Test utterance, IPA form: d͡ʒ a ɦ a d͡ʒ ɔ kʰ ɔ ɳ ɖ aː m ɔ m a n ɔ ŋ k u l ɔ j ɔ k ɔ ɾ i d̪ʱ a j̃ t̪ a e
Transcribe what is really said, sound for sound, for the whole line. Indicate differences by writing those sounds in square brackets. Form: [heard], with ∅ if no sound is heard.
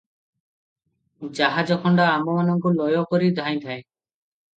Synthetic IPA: d͡ʒ a ɦ a d͡ʒ ɔ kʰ ɔ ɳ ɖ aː m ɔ m a n ɔ ŋ k u l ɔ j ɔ k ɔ ɾ i d̪ʱ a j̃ [t̪ʰ] a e